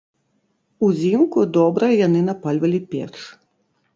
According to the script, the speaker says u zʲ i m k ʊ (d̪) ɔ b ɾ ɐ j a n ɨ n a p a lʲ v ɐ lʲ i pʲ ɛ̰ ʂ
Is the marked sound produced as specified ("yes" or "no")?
yes